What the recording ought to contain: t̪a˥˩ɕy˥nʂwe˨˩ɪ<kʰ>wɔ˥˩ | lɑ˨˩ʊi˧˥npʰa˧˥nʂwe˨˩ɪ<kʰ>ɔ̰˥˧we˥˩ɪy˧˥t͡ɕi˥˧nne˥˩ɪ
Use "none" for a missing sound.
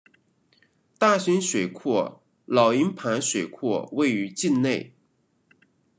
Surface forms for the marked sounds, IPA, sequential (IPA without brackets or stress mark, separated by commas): kʰ, kʰ